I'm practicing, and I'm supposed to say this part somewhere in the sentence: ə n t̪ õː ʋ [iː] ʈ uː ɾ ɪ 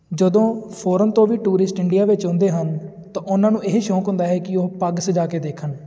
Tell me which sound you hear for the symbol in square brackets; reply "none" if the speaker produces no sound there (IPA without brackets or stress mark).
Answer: iː